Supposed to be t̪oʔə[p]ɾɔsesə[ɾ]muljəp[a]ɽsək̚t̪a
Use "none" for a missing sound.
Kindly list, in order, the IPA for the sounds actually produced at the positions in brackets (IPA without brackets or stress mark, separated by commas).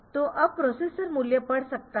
p, ɾ, ə